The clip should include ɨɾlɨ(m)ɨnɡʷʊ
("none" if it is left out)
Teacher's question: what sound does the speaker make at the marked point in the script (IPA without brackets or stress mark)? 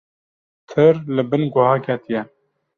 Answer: b